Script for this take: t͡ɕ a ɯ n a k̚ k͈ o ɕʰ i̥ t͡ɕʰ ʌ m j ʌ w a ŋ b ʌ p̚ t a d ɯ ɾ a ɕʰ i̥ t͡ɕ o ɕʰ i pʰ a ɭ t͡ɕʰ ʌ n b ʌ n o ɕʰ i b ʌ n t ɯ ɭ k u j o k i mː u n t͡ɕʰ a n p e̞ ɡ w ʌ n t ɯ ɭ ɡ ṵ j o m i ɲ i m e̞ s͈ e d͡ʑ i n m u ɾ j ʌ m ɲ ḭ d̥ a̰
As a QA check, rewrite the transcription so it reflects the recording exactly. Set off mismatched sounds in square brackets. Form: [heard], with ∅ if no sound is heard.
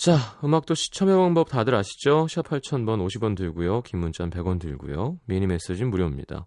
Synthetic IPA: t͡ɕ a ɯ [m] a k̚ [t͈] o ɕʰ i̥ t͡ɕʰ ʌ m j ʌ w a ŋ b ʌ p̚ t a d ɯ ɾ a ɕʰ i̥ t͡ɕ o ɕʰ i pʰ a ɭ t͡ɕʰ ʌ n b ʌ n o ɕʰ i b ʌ n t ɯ ɭ [ɡ] u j o k i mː u n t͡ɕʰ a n p e̞ ɡ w ʌ n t ɯ ɭ ɡ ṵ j o m i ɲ i m e̞ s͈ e d͡ʑ i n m u ɾ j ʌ m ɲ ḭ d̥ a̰